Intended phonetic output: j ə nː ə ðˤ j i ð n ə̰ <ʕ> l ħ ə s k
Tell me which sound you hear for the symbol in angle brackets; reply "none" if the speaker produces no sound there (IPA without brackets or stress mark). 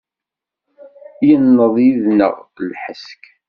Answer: ʁ